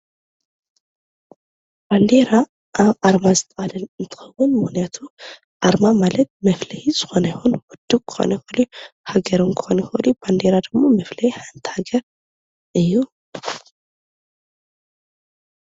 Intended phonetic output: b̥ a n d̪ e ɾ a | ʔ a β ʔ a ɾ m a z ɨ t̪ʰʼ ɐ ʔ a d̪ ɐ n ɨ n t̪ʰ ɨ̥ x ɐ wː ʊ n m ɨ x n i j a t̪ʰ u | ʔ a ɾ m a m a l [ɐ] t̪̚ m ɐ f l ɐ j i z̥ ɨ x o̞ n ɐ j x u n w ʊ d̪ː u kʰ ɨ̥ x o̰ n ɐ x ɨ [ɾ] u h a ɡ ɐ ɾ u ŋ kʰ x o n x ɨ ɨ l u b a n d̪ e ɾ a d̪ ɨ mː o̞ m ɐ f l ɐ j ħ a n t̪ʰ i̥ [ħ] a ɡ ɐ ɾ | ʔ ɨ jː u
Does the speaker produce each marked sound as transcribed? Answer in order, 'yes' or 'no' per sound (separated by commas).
yes, no, no